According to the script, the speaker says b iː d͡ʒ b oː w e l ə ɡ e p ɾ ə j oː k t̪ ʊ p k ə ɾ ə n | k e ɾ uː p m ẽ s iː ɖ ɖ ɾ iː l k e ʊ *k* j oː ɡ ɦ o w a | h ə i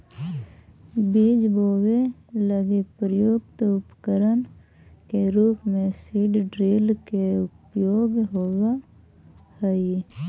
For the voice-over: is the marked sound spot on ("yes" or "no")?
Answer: no